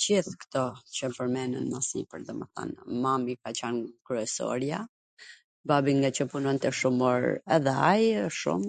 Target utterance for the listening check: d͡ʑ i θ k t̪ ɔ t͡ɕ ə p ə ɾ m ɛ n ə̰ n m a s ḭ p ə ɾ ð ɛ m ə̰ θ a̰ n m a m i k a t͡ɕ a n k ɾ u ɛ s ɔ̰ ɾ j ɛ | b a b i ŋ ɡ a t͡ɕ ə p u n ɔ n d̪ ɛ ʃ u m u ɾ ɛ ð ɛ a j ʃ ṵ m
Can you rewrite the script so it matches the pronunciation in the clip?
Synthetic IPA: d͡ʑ i θ k t̪ ɔ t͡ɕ ə p ə ɾ m ɛ n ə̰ n m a s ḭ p ə ɾ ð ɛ m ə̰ θ a̰ n m a m i k a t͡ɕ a n k ɾ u ɛ s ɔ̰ ɾ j a | b a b i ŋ ɡ a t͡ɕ ə p u n ɔ n t̪ ɛ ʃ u m ɔ ɾ ɛ ð ɛ a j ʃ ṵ m